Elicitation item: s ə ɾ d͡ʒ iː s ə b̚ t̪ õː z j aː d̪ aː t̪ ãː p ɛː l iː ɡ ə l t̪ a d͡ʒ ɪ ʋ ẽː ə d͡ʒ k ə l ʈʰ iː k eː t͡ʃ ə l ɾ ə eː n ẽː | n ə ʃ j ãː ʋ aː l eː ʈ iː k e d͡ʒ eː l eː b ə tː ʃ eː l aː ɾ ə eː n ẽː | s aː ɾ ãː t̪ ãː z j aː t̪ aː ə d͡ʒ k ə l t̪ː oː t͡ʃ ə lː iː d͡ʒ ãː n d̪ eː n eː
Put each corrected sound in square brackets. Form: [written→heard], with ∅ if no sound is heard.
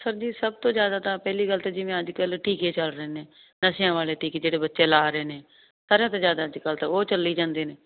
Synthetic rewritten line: s ə ɾ d͡ʒ iː s ə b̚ t̪ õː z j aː d̪ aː t̪ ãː p ɛː l iː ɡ ə l t̪ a d͡ʒ ɪ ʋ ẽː ə d͡ʒ k ə l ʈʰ iː k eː t͡ʃ ə l ɾ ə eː n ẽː | n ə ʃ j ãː ʋ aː l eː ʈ iː k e d͡ʒ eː [l→ɽ] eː b ə tː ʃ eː l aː ɾ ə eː n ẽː | s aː ɾ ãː t̪ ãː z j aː [t̪→d̪] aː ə d͡ʒ k ə l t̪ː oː t͡ʃ ə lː iː d͡ʒ ãː n d̪ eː n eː